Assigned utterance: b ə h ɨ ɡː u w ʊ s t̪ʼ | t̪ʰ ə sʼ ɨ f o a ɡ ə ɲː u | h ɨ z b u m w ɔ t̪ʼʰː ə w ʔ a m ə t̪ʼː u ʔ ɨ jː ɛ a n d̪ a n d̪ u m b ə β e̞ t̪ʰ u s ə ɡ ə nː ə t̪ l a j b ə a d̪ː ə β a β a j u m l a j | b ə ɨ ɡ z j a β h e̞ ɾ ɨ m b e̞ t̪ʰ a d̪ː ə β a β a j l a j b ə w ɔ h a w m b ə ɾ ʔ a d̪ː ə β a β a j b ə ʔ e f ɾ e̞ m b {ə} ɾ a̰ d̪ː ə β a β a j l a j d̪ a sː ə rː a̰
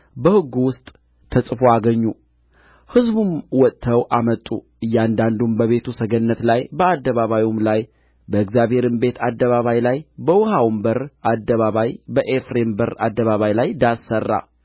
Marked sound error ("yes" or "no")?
no